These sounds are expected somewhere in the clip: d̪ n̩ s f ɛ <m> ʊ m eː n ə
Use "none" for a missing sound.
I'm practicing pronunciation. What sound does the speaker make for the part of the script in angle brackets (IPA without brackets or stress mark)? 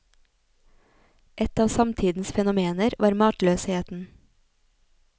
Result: n